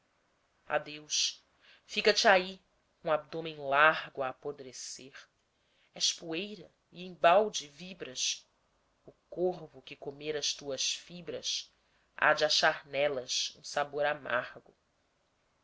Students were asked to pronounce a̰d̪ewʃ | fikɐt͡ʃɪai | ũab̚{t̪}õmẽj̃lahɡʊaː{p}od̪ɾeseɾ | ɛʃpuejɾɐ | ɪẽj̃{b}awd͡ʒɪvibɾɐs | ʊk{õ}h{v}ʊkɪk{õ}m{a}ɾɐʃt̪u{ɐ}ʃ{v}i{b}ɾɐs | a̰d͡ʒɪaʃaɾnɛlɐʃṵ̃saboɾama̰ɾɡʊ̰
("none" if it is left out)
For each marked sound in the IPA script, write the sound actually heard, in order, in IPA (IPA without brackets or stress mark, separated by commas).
d̪, p, b, o, v, o, e, ɐ, f, b